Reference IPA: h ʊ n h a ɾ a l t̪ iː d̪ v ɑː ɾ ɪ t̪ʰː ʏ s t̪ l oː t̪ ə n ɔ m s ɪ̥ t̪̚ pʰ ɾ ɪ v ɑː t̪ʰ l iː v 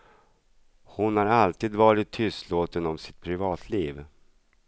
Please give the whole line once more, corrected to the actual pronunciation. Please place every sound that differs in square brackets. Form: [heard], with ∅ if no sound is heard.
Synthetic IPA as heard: h ʊ n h a ɾ a l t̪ iː d̪ v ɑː ɾ ɪ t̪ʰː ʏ s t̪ l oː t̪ ə n ɔ m s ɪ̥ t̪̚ pʰ ɾ ɪ v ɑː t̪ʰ l iː v